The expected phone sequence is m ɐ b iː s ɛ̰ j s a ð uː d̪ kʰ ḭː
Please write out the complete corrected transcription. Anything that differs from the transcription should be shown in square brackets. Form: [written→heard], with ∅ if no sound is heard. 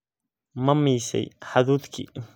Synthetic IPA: m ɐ [b→m] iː s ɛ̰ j [s→ħ] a ð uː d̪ kʰ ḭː